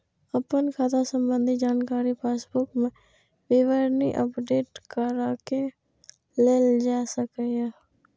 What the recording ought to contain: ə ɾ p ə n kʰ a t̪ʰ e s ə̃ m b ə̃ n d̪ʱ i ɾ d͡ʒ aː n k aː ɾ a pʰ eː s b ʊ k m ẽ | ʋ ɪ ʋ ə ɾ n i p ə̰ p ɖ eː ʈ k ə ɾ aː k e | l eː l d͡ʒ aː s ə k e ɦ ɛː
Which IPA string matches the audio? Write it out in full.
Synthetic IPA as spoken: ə p ə n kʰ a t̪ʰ a s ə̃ m b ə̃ n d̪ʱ i d͡ʒ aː n k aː ɾ i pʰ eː s b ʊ k m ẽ | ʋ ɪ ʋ ə ɾ n i ʔ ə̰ p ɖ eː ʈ k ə ɾ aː k e | l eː l d͡ʒ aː s ə k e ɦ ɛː